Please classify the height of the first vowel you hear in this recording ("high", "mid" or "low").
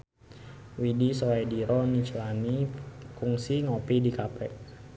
high